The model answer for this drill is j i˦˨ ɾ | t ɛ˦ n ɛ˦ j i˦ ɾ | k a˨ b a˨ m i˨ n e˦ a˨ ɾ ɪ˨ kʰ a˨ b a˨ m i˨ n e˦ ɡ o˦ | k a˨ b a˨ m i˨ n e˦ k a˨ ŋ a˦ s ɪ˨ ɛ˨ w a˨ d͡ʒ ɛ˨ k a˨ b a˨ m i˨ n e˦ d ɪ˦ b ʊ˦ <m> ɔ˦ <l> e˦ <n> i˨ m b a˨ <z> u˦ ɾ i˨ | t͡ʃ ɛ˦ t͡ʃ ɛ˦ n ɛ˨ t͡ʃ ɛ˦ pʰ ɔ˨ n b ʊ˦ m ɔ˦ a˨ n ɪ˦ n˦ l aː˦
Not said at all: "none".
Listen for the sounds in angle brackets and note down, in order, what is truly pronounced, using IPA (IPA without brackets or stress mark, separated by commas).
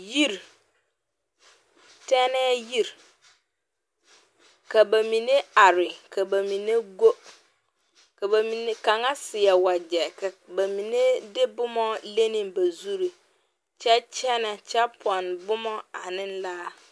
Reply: m, l, n, z